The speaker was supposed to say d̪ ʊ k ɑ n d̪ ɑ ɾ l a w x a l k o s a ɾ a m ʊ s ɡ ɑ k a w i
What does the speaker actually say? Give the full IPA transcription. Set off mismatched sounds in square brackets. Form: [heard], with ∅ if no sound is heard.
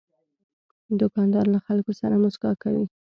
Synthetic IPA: d̪ ʊ k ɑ n d̪ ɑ ɾ l a [∅] x a l k o s a ɾ a m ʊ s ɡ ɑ k a w i